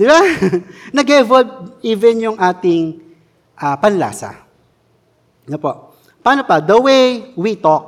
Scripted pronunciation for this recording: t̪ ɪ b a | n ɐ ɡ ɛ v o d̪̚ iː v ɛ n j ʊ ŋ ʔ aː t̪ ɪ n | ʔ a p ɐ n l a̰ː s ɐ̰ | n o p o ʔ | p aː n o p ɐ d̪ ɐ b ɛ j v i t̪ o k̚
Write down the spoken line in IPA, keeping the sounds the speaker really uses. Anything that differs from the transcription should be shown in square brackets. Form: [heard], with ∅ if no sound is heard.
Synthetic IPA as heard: [d̪] ɪ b a | n ɐ ɡ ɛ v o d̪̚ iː v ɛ n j ʊ ŋ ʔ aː t̪ ɪ [ŋ] | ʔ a p ɐ n l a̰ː s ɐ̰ | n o p o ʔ | p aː n o p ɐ d̪ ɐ [w] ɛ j [w] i t̪ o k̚